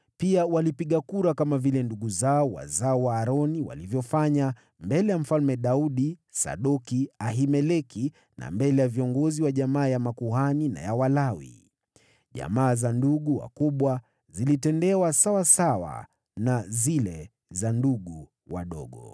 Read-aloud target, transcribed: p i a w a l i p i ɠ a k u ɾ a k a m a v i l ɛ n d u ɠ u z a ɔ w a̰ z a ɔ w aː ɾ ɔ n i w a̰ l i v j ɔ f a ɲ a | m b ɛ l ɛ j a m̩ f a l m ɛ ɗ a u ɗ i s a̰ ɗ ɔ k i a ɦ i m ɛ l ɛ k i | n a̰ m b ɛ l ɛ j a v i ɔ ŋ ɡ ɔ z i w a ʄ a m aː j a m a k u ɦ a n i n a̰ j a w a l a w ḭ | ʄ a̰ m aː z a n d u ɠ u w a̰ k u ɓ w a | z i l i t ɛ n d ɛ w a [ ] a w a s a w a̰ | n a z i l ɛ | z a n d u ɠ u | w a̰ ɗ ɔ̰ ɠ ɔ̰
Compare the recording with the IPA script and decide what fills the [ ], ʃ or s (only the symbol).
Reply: s